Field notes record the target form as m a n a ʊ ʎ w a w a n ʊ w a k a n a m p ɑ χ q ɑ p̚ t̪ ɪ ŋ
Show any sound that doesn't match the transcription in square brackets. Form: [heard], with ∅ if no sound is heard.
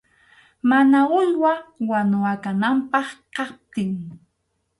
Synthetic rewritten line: m a n a ʊ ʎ w a w a n ʊ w a k a n a m p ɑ χ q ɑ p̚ t̪ ɪ ŋ